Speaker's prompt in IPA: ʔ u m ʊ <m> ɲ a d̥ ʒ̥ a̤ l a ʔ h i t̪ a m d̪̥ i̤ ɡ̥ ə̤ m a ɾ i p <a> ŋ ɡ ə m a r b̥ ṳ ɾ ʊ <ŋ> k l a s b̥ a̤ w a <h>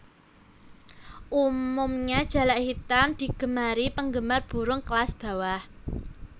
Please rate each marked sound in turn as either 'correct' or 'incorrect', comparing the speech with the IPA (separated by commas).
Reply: correct, incorrect, correct, correct